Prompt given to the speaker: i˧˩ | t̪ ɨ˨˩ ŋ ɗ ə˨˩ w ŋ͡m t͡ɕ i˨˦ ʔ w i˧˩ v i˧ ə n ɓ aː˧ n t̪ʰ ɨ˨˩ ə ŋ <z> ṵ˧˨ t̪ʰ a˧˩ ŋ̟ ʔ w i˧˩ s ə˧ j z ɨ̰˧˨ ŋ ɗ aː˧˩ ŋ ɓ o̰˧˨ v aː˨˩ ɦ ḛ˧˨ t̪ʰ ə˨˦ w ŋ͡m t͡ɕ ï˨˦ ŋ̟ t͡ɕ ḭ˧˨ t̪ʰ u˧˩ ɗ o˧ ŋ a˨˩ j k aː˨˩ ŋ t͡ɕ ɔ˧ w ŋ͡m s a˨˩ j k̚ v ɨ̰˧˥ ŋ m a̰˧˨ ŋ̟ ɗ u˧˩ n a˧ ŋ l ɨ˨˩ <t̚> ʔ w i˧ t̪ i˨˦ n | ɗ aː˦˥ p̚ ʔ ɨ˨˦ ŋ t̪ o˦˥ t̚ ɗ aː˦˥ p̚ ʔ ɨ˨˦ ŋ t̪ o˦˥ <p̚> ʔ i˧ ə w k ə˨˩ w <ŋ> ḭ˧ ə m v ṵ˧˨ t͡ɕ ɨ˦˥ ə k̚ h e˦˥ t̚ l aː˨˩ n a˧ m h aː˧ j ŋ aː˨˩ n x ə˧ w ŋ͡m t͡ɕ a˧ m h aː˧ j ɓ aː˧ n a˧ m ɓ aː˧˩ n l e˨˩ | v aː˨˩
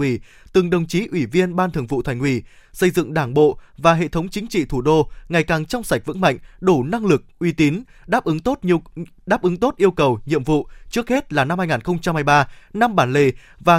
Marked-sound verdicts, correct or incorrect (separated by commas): incorrect, incorrect, incorrect, incorrect